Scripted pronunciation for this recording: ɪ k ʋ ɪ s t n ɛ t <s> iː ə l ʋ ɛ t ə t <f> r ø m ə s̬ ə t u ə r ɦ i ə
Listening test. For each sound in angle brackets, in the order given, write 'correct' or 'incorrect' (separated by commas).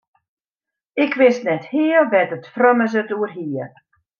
incorrect, correct